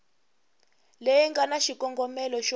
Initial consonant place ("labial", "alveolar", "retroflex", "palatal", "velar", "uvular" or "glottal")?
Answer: alveolar